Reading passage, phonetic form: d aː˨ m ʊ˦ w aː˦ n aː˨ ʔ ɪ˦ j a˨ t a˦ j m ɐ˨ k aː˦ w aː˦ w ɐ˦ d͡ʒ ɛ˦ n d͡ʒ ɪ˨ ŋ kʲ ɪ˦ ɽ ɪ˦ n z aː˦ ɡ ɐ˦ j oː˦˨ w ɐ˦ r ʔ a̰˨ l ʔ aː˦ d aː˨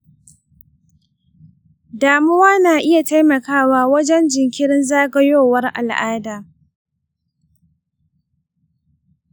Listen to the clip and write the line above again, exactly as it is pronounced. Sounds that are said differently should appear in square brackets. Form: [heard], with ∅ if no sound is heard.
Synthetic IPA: d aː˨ m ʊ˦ w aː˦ n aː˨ ʔ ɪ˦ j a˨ t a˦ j m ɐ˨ k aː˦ w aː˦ w ɐ˦ d͡ʒ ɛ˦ n d͡ʒ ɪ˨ ŋ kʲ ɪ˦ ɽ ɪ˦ n z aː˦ ɡ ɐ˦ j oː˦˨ w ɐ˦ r ʔ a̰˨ l ʔ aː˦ d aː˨